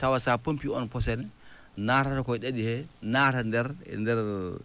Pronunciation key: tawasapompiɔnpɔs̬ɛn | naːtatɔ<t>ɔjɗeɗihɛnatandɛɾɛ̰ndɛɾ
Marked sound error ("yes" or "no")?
yes